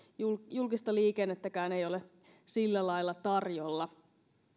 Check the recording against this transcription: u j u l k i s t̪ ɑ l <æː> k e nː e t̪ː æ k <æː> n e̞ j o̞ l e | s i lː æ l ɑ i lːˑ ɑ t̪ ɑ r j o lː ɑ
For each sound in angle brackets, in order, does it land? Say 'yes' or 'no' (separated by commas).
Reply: no, yes